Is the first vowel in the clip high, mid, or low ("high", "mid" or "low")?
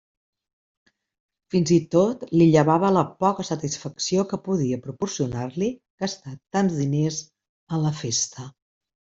high